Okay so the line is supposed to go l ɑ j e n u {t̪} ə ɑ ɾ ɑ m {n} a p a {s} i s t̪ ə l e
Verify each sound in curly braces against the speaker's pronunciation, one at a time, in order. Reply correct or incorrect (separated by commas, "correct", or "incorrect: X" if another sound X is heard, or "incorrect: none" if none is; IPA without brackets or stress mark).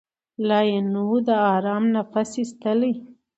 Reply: incorrect: d̪, correct, correct